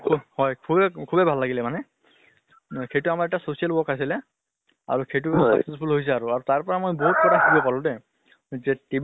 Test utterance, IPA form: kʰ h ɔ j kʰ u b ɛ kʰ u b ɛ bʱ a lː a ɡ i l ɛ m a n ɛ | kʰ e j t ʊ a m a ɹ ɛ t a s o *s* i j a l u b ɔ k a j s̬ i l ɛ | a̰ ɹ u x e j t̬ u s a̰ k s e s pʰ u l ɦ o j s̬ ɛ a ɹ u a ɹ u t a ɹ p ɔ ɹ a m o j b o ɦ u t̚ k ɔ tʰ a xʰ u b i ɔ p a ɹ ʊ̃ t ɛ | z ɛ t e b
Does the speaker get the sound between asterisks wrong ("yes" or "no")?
no